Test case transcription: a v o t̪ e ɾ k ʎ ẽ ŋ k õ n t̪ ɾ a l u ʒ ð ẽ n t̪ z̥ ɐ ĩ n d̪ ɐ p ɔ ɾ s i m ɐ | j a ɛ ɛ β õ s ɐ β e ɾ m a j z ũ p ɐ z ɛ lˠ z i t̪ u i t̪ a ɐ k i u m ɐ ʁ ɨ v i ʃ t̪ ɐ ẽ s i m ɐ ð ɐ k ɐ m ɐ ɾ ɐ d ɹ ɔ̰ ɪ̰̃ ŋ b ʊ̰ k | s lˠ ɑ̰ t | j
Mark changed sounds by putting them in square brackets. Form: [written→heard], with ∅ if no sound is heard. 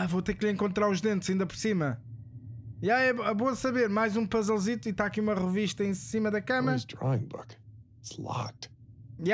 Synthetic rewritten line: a v o t̪ e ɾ k ʎ ẽ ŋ k õ n t̪ ɾ a [l→ɾ] u ʒ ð ẽ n t̪ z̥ ɐ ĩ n d̪ ɐ p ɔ ɾ s i m ɐ | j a ɛ ɛ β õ s ɐ β e ɾ m a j z ũ p ɐ z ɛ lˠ z i t̪ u i t̪ a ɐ k i u m ɐ ʁ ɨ v i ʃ t̪ ɐ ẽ s i m ɐ ð ɐ k ɐ m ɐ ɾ ɐ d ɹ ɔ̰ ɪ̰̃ ŋ b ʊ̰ k | s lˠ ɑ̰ t | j